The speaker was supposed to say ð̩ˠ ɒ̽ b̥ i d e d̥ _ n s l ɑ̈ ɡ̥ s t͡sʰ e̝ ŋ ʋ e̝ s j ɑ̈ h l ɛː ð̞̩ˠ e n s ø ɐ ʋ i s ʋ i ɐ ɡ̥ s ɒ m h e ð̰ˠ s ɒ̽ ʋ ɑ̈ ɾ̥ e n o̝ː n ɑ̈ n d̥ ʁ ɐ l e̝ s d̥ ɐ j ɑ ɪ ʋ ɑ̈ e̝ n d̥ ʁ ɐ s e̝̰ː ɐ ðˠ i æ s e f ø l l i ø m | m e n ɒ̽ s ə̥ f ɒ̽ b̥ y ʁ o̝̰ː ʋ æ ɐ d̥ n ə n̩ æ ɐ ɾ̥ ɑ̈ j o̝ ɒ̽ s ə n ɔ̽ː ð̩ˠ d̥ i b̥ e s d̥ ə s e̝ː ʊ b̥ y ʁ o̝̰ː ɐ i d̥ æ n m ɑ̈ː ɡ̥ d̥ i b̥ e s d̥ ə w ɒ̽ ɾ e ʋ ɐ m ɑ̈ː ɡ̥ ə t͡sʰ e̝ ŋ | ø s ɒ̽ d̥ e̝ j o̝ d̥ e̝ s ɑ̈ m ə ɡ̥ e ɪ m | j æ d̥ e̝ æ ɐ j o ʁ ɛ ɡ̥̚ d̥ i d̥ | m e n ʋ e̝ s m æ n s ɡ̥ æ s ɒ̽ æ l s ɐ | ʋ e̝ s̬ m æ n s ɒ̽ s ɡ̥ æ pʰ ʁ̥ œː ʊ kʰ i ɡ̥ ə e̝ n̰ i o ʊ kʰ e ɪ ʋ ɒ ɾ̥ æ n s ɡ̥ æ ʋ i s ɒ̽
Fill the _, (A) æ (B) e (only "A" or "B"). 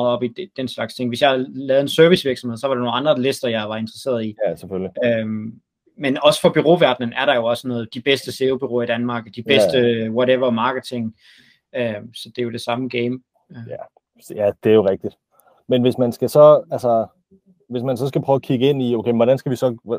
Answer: B